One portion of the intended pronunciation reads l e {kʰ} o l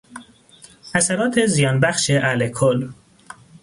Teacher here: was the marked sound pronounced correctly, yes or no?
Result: yes